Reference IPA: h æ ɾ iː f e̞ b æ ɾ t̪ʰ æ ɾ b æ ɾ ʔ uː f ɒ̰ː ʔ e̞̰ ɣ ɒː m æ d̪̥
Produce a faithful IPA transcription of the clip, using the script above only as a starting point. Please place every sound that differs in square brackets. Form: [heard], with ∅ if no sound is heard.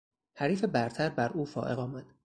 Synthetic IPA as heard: h æ ɾ iː f e̞ b æ ɾ t̪ʰ æ ɾ b æ ɾ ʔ uː f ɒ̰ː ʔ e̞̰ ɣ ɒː m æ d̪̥